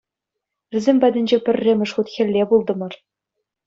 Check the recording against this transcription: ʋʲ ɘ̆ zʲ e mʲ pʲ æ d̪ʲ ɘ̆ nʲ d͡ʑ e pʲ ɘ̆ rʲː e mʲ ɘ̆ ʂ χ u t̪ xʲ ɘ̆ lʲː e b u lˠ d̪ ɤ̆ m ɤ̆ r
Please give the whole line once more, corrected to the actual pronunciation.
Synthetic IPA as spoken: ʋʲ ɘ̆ zʲ e mʲ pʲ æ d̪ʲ ɘ̆ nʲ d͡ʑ e pʲ ɘ̆ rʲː e mʲ ɘ̆ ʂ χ u t̪ xʲ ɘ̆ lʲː e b u lˠ d̪ ɤ̆ m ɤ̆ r

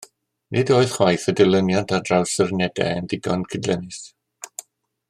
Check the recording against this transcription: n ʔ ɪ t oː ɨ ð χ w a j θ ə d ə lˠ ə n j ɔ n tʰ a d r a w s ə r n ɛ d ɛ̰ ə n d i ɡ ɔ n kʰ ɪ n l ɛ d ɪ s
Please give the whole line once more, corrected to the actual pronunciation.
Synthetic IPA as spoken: n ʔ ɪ d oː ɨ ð χ w a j θ ə d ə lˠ ə n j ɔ n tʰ a d r a w s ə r n ɛ d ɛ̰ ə n d ɪ ɡ ɔ n kʰ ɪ d l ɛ n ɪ s

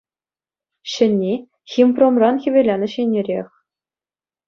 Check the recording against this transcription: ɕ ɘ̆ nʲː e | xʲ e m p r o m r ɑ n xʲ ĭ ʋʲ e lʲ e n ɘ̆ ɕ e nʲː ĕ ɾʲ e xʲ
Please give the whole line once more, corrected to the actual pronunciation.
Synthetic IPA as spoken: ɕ ɘ̆ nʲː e | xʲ i m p r o m r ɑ n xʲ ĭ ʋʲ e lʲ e n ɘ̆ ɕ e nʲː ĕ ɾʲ e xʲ

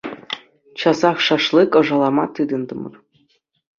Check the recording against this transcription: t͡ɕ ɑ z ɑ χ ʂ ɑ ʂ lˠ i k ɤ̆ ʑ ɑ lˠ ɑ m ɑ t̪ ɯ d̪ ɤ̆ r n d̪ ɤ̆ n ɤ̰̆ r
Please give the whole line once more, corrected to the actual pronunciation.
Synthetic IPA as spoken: t͡ɕ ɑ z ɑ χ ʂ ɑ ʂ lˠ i k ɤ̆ ʐ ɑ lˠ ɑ m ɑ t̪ ɯ d̪ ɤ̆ n d̪ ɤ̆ m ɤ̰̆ r

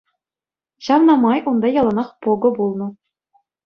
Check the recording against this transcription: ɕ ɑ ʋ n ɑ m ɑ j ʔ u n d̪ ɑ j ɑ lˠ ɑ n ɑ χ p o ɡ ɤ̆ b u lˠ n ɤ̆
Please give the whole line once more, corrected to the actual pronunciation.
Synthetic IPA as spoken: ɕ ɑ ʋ n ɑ m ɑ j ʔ u n d̪ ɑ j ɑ lˠ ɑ n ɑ χ p o ɡ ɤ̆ b u lˠ n ɤ̆

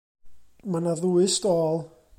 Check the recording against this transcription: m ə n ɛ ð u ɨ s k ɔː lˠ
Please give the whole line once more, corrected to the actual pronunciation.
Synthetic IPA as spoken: m a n a ð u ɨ s t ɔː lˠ

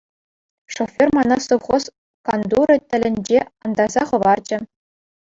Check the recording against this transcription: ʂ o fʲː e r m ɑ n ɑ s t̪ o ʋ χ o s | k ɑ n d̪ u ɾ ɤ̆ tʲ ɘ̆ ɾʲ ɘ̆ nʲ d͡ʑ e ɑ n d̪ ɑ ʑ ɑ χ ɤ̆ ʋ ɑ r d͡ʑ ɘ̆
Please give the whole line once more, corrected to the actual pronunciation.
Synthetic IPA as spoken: ʂ o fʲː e r m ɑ n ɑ s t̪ o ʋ χ o s | k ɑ n d̪ u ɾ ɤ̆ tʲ ɘ̆ lʲ ɘ̆ nʲ d͡ʑ e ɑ n d̪ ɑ z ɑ χ ɤ̆ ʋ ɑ r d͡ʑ ɘ̆

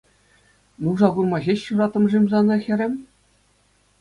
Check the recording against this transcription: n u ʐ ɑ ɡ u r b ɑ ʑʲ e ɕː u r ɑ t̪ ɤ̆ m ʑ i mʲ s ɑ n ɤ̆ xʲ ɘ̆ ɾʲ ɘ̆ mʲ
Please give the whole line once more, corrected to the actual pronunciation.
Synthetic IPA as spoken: n u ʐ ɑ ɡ u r m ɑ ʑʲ e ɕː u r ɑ t̪ ɤ̆ m ʐ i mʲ z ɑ n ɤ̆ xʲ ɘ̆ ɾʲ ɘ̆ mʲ

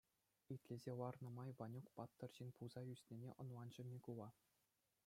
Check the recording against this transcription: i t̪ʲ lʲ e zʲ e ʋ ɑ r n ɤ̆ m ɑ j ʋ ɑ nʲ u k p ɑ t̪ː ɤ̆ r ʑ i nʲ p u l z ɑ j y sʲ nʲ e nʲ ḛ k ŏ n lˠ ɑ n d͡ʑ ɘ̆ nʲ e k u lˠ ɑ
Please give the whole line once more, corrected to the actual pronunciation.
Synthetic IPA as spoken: i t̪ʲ lʲ e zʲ e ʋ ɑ r n ɤ̆ m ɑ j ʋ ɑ nʲ u k p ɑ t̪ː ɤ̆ r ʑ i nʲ p u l z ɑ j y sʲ nʲ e nʲ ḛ ʔ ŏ n lˠ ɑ n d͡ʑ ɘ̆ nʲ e k u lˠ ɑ

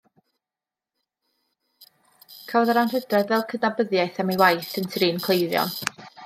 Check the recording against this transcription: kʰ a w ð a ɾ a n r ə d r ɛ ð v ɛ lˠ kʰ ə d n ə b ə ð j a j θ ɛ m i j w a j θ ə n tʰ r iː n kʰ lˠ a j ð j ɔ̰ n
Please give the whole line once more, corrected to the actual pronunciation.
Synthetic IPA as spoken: kʰ a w ð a ɾ a n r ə d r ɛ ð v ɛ lˠ kʰ ə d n a b ə ð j a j θ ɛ m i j w a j θ ə n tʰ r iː n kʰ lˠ e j ð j ɔ̰ n

